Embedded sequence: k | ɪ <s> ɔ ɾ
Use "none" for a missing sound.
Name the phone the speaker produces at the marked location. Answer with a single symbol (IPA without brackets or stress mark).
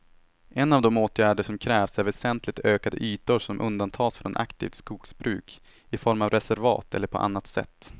f